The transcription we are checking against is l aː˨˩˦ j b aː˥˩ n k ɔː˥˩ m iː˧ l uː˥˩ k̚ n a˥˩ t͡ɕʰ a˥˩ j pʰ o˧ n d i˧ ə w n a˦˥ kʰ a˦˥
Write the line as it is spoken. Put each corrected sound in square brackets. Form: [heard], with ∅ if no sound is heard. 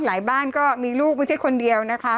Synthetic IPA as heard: l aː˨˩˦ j b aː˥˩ n k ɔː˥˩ m iː˧ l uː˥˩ k̚ [m] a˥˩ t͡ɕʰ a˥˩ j [kʰ] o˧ n d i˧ ə w n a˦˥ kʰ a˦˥